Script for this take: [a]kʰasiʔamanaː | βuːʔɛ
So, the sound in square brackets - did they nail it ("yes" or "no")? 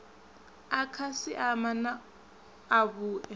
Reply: yes